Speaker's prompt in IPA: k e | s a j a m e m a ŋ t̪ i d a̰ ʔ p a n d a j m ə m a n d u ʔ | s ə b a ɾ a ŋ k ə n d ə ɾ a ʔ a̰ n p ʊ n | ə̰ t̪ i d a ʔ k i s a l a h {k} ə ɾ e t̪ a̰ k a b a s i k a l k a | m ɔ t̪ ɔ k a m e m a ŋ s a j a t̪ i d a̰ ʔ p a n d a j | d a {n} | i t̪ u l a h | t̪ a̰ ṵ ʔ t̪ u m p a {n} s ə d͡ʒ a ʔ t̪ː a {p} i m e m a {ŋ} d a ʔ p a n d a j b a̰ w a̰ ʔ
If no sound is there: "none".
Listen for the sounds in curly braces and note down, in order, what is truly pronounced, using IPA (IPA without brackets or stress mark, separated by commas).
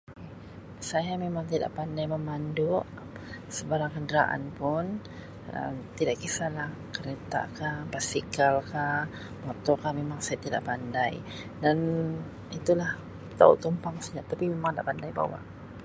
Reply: k, n, ŋ, p, ŋ